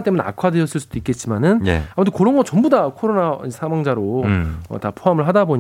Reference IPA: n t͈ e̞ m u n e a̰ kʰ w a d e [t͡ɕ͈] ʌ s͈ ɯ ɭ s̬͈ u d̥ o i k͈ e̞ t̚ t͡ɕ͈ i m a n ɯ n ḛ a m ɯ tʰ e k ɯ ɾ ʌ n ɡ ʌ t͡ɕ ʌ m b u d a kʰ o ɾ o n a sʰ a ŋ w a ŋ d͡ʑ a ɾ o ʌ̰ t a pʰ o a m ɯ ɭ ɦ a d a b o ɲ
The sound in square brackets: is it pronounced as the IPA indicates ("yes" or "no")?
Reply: no